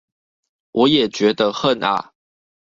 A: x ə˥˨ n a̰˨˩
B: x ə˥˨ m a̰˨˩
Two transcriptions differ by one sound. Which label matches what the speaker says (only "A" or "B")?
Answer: A